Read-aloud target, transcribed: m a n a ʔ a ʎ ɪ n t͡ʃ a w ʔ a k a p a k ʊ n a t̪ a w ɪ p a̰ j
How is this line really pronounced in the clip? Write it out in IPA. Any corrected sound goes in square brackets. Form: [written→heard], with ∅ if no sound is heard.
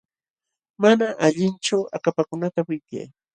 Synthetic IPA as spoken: m a n a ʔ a ʎ ɪ n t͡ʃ a w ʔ a k a p a k ʊ n a t̪ a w ɪ [p→k] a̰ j